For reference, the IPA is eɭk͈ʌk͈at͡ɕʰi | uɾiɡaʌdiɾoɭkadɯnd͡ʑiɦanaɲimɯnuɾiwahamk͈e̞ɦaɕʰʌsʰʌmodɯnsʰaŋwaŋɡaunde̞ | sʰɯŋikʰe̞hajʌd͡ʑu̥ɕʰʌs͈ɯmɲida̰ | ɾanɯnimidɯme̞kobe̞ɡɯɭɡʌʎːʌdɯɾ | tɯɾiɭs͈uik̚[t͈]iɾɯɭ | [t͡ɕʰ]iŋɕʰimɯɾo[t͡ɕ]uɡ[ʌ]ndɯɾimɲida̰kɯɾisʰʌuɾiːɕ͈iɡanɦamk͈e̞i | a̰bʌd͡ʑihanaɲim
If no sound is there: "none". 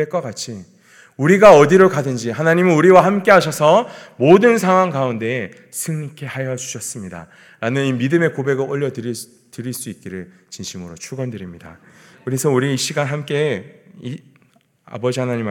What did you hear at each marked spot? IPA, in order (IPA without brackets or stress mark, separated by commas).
k͈, t͡ɕ, t͡ɕʰ, ʌ